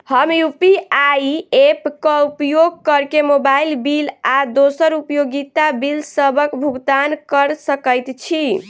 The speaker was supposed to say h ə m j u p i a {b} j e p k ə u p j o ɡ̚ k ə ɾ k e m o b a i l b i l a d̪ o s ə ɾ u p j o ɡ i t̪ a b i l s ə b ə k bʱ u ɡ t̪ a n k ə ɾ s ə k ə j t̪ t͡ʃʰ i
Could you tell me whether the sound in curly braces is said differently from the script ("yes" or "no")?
yes